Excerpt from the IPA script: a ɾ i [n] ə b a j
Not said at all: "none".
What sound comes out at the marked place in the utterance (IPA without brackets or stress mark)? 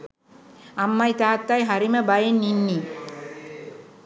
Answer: m